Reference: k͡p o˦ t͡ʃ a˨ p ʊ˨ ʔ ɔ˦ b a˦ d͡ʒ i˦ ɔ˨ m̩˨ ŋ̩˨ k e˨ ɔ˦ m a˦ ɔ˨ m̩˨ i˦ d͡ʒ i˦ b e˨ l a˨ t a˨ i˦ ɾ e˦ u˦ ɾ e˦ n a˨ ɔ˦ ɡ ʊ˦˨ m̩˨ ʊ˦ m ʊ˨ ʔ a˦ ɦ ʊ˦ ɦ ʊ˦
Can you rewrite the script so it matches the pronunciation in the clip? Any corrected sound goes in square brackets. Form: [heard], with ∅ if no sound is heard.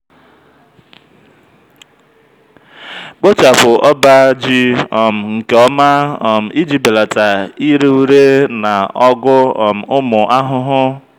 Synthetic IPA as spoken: k͡p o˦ t͡ʃ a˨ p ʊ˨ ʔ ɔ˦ b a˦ d͡ʒ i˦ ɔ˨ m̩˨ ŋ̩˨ k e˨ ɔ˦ m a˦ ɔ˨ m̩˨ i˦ d͡ʒ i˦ b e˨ l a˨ t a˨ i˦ ɾ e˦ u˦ ɾ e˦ n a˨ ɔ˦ ɡ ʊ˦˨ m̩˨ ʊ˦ m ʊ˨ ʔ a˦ ɦ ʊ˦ ɦ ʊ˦